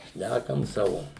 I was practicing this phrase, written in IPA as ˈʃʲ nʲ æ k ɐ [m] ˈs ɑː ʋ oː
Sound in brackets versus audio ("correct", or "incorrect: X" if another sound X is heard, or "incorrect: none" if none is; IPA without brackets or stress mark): correct